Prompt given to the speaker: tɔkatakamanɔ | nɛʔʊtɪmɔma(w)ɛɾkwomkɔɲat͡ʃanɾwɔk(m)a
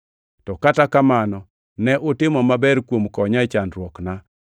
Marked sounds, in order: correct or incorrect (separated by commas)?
incorrect, incorrect